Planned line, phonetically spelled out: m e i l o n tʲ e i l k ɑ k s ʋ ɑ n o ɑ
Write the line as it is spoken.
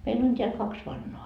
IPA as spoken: m e i l o n tʲ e æ l k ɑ k s ʋ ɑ nː o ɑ

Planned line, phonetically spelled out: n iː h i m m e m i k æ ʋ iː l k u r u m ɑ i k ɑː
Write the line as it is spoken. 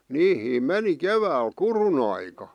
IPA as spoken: n iː h iː m m e n i k e ʋ æː l k u r u n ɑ i k ɑ

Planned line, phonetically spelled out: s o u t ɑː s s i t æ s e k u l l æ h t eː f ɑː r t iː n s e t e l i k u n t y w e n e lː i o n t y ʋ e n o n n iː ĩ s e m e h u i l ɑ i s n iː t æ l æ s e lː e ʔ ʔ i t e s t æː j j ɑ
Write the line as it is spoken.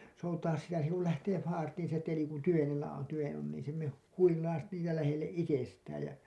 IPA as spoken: s o u t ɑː s s i t æ s e k u l l æ h t eː f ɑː r t iː n s e t e l i k u n t y ʋ e n e lː æ o n t y ʋ e n o n n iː ĩ s e m e h u i l ɑ i s n iː t æ l æ h e lː e ʔ ʔ i t e s t æː j j ɑ

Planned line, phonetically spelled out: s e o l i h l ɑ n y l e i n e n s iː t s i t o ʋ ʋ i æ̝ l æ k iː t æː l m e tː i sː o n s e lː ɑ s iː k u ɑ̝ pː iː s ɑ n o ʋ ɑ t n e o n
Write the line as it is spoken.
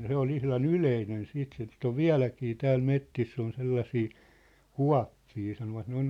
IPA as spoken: s e o l i h l ɑ n y l e i n e n s iː t s i t o ʋ ʋ i æ̝ l æ k iː t æː l m e tː i sː o n s e lː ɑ s iː k u ɑ̝ pː iː s ɑ n o ʋ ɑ t n e o n

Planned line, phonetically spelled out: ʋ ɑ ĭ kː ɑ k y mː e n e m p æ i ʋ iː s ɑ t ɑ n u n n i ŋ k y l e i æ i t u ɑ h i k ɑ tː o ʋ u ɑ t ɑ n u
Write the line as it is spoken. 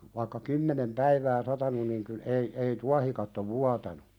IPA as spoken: ʋ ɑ ĭ kː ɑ k y mː e n e m p æ i ʋ æː s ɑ t ɑ n u n n i ŋ k y l e i e i t u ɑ h i k ɑ tː o ʋ u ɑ t ɑ n u

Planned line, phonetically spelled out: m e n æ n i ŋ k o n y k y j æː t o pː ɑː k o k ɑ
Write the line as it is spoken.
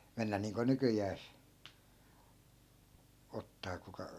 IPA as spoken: m e nː æ n iː ŋ k o n y k y j æː s o tː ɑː k u k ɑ

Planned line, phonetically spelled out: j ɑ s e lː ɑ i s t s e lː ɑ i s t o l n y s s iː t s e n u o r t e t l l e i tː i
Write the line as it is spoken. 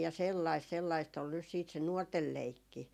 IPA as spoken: j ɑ s e lː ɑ i s t s e lː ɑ i s t o l n y s s iː t s e n u o r t e l l e i kː i

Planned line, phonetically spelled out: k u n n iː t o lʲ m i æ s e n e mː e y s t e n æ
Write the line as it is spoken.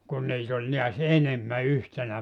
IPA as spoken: k u n n iː t o lʲ n i æ s e n e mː æ y h t e n æ

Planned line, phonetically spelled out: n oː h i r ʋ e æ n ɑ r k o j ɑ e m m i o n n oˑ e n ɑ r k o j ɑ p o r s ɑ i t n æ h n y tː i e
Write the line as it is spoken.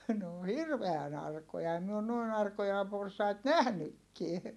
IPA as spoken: n oː h i r ʋ e æ n ɑ r k o j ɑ e m m i o n n oˑ i n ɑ r k o j ɑ p o r s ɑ i t n æ h n y kː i e

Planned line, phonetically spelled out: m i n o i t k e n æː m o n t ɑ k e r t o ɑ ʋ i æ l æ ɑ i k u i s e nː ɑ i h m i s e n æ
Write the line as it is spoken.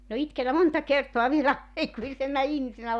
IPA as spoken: m i n o i t k e n æ m o n t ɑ k e r t o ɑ ʋ i e l æ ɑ i k u i s e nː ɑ i h m i s e n æ

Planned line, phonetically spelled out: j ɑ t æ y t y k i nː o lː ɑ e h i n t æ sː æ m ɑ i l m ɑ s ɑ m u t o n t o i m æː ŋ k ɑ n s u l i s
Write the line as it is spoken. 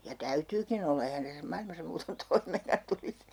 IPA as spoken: j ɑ t æ y t yː k i n o lː ɑ e h æ n t æ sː æ m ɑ i l m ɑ s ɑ m uː t o n t o i m eː ŋ k ɑ n t u l i s

